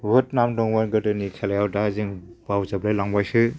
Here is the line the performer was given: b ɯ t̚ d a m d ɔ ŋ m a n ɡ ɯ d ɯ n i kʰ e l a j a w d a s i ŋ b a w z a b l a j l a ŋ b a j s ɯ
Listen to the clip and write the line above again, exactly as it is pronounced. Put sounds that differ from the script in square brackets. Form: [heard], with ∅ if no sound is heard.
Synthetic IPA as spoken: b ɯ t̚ [n] a m d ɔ ŋ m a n ɡ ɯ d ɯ n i kʰ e l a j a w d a [z] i ŋ b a w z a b l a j l a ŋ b a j s ɯ